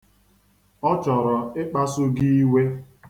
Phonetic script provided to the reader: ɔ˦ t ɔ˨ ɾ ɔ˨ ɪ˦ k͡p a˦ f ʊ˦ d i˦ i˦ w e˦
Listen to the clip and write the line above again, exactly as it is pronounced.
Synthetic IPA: ɔ˦ t͡ʃ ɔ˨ ɾ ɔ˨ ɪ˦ k͡p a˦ s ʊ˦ ɡ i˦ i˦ w e˦